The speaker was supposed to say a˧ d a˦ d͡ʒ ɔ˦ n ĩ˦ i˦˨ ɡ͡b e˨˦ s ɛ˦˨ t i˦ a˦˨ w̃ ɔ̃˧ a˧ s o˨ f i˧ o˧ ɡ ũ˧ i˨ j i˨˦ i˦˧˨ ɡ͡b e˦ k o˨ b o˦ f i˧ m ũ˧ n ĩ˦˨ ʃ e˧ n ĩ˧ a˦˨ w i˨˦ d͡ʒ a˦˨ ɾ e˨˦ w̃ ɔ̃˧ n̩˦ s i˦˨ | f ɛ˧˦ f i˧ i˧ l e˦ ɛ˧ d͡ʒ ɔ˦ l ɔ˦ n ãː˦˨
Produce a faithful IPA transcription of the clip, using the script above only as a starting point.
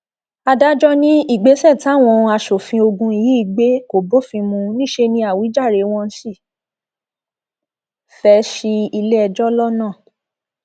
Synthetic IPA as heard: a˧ d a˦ d͡ʒ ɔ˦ n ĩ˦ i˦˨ ɡ͡b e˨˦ s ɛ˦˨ t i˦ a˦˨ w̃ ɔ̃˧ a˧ ʃ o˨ f ĩ˧ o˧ ɡ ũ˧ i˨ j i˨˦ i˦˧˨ ɡ͡b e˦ k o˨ b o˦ f ĩ˧ m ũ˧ n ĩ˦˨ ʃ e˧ n ĩ˧ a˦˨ w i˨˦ d͡ʒ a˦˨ ɾ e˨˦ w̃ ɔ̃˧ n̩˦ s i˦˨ | f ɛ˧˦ ʃ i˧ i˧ l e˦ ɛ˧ d͡ʒ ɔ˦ l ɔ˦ n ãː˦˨